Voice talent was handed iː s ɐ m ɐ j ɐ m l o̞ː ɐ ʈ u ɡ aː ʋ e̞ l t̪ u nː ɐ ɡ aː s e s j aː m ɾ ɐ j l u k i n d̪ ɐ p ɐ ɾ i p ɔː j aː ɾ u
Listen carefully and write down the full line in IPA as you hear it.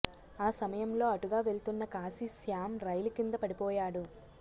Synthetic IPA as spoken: aː s ɐ m ɐ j ɐ m l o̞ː ɐ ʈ u ɡ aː ʋ e̞ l t̪ u nː ɐ k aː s i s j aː m ɾ ɐ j l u k i n d̪ ɐ p ɐ ɽ i p ɔː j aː ɽ u